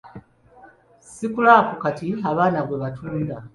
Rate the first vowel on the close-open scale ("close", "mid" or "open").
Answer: close